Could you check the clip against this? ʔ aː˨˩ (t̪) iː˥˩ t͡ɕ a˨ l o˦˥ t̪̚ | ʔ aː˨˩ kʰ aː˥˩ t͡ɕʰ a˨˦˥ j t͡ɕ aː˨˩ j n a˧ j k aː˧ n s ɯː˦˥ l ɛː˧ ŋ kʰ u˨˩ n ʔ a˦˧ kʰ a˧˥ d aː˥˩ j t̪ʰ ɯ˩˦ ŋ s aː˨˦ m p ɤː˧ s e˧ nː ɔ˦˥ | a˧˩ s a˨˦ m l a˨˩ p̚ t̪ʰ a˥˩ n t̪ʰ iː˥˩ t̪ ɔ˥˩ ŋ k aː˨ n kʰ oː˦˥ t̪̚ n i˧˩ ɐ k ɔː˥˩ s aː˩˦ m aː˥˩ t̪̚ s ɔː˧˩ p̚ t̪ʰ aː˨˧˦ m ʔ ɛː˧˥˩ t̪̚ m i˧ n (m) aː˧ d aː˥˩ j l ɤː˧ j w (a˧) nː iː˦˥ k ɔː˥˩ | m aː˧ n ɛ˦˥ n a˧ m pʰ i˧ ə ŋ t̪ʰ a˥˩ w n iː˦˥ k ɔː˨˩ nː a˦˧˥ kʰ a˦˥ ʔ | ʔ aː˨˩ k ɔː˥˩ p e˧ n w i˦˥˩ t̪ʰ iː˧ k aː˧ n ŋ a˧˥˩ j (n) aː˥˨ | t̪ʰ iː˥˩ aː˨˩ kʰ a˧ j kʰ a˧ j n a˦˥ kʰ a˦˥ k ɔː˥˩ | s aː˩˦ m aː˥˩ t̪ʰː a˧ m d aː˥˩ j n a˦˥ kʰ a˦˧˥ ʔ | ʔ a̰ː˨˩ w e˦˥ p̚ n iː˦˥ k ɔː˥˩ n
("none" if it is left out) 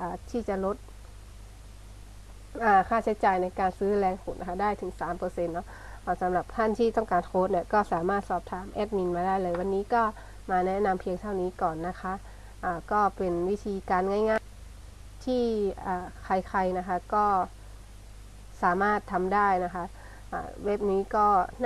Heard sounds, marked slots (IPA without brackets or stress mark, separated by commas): t̪ʰ, m, a˧, ŋ